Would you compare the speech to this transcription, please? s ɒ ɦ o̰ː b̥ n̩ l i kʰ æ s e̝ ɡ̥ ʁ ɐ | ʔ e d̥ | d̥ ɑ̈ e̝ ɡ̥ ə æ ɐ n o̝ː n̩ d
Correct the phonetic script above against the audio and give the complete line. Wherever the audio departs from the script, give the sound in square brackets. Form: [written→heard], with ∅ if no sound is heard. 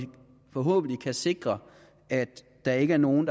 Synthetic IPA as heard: [s→f] ɒ ɦ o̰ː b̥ n̩ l i kʰ æ s e̝ ɡ̥ ʁ ɐ | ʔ [e→æ] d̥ | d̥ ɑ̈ e̝ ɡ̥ ə æ ɐ n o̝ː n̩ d